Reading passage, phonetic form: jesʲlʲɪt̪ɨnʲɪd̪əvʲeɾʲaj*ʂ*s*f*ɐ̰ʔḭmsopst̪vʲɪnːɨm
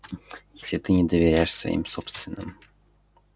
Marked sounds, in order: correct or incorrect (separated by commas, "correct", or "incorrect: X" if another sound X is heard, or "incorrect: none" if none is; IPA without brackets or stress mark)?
correct, incorrect: v